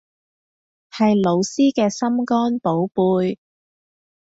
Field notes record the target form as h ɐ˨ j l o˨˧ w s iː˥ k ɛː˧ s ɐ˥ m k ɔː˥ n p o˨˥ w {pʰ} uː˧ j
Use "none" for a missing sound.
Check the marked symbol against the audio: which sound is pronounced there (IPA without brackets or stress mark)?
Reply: p